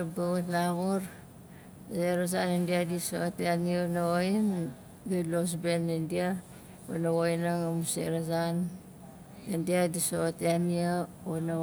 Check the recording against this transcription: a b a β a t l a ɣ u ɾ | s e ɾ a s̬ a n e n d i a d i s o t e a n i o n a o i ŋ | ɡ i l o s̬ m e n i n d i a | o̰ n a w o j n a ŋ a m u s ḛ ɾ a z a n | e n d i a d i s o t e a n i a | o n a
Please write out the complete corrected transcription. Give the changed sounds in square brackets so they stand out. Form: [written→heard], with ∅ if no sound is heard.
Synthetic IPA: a b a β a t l a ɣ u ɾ | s e ɾ a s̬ a n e n d i a d i s o t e a n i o n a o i [ŋ→n] | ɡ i l o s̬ [m→b] e n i n d i a | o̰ n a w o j n a ŋ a m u s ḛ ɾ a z a n | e n d i a d i s o t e a n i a | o n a